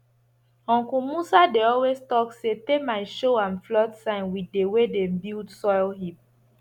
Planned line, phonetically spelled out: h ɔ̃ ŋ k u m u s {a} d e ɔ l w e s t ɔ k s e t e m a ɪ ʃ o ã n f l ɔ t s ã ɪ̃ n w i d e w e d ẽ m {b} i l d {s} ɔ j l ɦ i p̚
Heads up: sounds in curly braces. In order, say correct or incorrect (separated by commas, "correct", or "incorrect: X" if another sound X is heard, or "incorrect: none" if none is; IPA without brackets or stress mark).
correct, correct, correct